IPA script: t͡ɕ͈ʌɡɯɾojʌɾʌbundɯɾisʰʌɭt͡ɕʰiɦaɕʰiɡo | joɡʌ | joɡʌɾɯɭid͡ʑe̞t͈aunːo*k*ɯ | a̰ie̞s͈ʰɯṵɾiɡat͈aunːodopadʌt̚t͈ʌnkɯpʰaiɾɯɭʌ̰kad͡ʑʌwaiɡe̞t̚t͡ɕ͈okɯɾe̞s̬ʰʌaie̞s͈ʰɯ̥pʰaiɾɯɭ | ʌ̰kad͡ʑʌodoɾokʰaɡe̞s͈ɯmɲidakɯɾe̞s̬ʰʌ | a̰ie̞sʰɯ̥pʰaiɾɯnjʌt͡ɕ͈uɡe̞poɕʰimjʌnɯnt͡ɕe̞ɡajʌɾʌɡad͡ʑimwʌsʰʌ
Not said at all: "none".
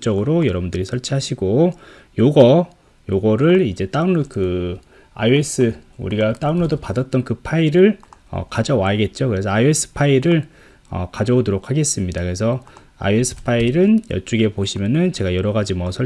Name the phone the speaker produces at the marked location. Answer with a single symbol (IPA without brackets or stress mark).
k